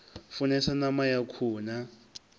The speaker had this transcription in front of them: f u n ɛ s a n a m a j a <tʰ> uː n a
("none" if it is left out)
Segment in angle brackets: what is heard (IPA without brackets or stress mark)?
kʰ